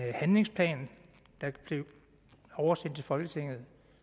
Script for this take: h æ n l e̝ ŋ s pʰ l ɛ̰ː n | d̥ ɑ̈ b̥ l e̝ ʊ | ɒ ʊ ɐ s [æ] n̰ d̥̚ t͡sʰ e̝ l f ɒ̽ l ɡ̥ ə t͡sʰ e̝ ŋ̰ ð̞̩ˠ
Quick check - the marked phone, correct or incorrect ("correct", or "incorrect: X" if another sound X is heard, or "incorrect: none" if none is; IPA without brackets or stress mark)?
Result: incorrect: e